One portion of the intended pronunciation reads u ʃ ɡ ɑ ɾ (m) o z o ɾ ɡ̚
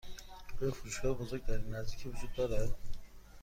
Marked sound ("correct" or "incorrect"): incorrect